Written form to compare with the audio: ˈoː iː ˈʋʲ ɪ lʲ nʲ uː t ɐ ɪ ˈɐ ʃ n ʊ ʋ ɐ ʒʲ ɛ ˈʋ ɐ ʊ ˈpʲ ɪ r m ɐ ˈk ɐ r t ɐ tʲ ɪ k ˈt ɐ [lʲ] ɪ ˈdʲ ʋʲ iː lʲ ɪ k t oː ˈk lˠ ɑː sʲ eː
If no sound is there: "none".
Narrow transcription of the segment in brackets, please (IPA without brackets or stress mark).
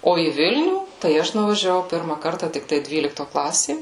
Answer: none